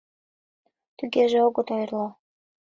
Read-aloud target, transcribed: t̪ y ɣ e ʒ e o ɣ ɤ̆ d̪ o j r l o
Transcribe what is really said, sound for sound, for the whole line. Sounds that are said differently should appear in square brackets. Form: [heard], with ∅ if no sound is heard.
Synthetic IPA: t̪ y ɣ e ʒ e o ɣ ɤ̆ [t̪] o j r l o